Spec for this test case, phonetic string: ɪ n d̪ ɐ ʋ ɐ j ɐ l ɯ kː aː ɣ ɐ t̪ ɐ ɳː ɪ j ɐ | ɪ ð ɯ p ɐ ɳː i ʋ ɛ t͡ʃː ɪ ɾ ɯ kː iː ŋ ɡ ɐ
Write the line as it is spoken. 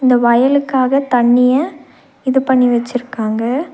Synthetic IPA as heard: ɪ n d̪ ɐ ʋ ɐ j ɐ l ɯ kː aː ɣ ɐ t̪ ɐ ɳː ɪ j ɐ | ɪ ð ɯ p ɐ ɳː i ʋ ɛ t͡ʃː ɪ ɾ ɯ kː aː ŋ ɡ ɐ